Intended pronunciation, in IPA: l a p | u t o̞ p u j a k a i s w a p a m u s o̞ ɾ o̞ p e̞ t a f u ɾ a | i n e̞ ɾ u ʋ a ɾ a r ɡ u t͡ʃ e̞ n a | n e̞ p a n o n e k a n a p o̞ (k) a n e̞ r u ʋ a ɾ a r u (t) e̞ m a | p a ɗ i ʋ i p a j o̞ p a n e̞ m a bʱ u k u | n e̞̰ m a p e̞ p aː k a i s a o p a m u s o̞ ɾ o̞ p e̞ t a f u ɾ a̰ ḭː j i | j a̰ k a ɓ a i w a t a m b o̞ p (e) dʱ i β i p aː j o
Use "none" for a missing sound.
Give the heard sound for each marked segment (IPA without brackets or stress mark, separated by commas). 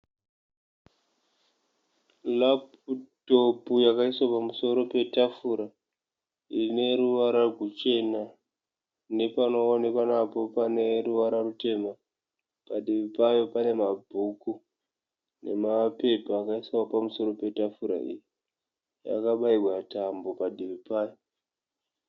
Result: p, t, a